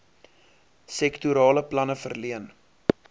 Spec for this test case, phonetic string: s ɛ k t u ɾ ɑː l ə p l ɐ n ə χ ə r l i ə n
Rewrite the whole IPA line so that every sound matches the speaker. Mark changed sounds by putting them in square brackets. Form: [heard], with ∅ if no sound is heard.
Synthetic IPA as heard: s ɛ k t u ɾ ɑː l ə p l ɐ n ə [f] ə r l i ə n